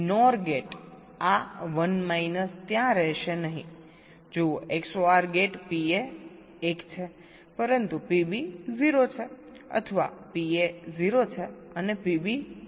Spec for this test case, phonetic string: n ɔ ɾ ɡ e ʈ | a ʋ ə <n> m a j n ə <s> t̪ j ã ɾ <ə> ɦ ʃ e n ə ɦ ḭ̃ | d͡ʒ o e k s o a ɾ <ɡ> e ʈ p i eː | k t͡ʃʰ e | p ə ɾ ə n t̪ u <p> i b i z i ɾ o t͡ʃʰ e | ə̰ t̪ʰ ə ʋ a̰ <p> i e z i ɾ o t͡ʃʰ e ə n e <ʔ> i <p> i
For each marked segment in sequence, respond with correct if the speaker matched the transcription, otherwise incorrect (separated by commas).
correct, correct, correct, correct, correct, correct, incorrect, incorrect